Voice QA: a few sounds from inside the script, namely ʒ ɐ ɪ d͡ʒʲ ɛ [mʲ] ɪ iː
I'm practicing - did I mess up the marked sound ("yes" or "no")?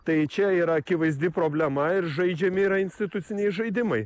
no